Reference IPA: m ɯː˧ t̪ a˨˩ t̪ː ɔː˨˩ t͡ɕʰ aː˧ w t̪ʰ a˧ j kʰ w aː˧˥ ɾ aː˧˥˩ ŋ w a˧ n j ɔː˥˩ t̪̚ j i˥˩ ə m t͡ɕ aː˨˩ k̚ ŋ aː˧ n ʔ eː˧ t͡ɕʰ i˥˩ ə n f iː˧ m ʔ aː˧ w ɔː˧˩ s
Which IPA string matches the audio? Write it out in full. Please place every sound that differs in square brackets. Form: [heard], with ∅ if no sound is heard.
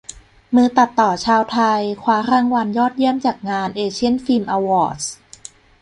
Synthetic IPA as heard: m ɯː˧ t̪ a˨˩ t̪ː ɔː˨˩ t͡ɕʰ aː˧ w t̪ʰ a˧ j kʰ w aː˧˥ ɾ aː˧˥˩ ŋ w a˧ n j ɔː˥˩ t̪̚ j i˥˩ ə m t͡ɕ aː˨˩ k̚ ŋ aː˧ n ʔ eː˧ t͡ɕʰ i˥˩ ə n f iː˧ m ʔ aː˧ w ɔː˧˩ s